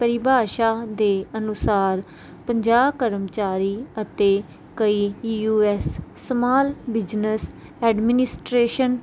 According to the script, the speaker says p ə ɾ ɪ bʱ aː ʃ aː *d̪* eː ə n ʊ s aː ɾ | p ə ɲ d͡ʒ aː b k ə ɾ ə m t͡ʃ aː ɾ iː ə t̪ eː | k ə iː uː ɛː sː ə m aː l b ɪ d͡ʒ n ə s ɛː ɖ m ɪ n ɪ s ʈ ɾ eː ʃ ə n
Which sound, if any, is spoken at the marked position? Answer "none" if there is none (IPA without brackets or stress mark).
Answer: d̪